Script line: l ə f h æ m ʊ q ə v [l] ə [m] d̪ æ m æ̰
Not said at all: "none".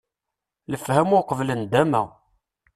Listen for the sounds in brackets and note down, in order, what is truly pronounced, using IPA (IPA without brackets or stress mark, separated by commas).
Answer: l, n